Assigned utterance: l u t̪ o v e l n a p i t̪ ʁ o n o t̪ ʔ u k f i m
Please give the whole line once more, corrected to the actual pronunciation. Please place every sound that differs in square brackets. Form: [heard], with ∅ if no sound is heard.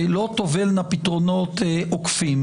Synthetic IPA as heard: l [o] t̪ o v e l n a p i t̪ ʁ o n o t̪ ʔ [o] k f i m